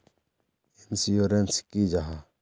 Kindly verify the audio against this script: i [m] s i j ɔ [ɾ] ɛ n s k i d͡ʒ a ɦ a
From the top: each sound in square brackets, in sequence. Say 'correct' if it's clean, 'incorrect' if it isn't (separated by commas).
incorrect, correct